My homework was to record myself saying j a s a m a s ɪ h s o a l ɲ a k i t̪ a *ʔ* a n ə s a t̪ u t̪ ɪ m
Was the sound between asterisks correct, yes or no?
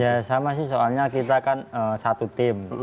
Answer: no